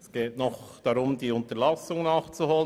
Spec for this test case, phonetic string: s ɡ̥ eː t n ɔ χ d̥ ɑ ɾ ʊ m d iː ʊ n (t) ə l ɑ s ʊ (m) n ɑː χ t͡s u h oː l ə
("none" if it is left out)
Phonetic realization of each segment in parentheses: t, ŋ

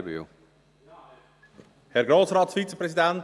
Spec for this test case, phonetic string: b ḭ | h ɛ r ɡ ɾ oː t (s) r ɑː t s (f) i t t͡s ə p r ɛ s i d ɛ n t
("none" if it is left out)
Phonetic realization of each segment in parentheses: s, f

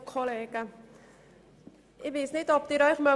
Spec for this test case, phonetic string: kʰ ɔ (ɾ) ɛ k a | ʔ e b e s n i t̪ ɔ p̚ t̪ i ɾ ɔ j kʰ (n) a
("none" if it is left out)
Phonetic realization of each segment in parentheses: l, m

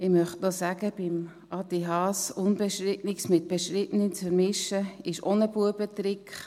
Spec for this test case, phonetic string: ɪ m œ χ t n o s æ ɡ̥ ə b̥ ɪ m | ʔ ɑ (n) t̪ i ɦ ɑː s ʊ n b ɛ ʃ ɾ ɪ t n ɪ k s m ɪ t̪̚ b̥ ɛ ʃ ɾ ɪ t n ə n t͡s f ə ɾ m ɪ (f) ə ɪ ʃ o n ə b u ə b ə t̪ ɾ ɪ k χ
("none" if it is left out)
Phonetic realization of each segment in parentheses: none, ʃ

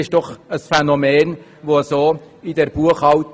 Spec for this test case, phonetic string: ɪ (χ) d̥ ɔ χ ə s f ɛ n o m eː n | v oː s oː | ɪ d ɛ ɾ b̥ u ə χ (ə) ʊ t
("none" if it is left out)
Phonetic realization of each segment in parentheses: ʃ, ɑ

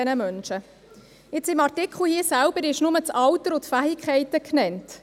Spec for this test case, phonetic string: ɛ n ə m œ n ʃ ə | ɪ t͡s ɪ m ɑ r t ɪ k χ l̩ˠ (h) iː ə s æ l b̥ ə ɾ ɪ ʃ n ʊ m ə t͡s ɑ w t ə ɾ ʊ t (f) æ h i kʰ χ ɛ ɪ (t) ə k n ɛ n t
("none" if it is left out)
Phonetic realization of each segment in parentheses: h, f, t

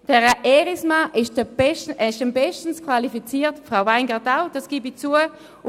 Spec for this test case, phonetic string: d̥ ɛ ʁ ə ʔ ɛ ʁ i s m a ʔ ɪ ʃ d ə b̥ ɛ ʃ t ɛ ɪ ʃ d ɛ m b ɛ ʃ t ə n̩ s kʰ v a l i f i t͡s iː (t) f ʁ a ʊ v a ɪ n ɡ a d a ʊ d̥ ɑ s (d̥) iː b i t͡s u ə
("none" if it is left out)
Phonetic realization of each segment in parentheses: t, ɡ̥

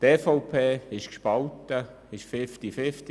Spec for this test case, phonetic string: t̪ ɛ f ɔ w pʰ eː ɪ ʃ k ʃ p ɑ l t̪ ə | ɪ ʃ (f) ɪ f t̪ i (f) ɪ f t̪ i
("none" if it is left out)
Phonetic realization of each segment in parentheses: f, f

